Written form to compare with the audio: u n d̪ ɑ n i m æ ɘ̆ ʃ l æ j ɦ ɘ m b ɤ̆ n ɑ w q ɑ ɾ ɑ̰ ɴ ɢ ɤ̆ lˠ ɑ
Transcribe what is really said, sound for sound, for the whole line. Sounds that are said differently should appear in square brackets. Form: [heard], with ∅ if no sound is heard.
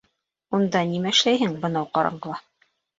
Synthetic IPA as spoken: u n d̪ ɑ n i m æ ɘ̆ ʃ l æ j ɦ ɘ [ŋ] b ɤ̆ n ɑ w q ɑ ɾ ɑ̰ ɴ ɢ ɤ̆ lˠ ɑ